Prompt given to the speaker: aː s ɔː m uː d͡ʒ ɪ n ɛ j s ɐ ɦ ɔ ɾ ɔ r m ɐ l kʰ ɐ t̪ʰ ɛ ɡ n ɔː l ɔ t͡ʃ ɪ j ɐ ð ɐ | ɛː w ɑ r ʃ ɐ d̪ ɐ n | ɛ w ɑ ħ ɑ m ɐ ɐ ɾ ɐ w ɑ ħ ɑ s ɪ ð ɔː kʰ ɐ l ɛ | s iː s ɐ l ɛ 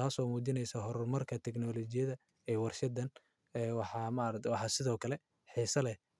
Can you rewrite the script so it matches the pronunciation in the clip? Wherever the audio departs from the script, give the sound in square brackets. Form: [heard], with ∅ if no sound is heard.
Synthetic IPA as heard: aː s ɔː m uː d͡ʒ ɪ n ɛ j s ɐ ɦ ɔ ɾ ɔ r m ɐ [r] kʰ ɐ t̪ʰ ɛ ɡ n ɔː l ɔ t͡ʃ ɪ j ɐ ð ɐ | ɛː w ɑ r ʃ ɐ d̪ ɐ n | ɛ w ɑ ħ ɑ m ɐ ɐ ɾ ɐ w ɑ ħ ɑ s ɪ ð ɔː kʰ ɐ l ɛ | [ħ] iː s ɐ l ɛ

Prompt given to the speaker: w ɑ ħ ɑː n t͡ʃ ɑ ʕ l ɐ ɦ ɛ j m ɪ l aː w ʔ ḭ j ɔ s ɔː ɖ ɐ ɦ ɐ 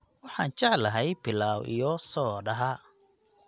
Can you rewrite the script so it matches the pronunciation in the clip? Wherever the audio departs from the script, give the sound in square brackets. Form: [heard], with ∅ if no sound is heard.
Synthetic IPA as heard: w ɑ ħ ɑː n t͡ʃ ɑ ʕ l ɐ ɦ ɛ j [b] ɪ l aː w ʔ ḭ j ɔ s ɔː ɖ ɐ ɦ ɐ

